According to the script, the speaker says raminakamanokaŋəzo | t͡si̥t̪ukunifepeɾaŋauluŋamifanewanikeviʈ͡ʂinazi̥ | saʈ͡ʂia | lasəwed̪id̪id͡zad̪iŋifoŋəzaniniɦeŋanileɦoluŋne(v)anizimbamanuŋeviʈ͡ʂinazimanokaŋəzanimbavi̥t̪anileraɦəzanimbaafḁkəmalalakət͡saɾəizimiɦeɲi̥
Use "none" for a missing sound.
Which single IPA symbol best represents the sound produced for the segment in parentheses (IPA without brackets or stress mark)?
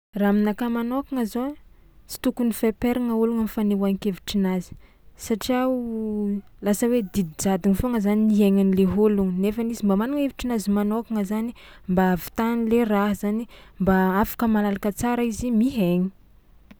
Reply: f